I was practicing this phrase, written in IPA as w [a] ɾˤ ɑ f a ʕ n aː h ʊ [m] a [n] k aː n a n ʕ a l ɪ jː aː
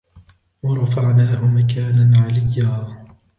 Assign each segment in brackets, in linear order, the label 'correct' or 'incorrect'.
incorrect, correct, incorrect

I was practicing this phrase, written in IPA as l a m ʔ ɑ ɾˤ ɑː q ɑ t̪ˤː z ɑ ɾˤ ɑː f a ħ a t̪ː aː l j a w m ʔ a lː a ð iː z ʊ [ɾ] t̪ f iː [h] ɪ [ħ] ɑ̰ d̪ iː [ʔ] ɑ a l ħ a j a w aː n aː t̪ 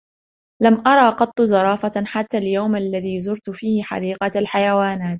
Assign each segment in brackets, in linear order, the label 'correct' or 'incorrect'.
correct, correct, correct, incorrect

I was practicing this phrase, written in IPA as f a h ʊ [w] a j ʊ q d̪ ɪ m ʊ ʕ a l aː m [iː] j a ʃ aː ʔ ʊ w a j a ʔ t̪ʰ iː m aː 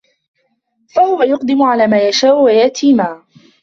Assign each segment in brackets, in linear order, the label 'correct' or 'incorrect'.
correct, incorrect

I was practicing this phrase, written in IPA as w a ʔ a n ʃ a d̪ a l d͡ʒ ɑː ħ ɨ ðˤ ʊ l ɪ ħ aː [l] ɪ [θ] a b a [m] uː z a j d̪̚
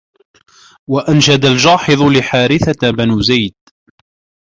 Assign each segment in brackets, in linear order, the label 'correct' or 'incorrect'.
incorrect, correct, incorrect

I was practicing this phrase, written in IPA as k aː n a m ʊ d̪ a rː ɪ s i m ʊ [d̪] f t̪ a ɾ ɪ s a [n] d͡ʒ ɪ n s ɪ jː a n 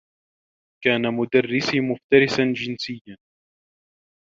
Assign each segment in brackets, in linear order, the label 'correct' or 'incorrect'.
incorrect, correct

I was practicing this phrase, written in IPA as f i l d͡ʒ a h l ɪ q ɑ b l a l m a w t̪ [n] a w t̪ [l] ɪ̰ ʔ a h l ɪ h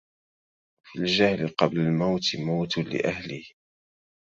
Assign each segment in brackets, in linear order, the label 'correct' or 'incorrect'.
incorrect, correct

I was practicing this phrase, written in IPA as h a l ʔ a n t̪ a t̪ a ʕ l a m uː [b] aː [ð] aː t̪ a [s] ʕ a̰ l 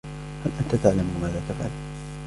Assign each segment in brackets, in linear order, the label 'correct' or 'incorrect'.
incorrect, correct, incorrect

